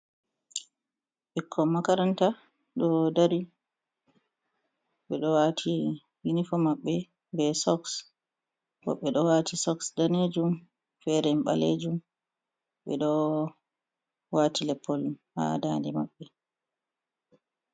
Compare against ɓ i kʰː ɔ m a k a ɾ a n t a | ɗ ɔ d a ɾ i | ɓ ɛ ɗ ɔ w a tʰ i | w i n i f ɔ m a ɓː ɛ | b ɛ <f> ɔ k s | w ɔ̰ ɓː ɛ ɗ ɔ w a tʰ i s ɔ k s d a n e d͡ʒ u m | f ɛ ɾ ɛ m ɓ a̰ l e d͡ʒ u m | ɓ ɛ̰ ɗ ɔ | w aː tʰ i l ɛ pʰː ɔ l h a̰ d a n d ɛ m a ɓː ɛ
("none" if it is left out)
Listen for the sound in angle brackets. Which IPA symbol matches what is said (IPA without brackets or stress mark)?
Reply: s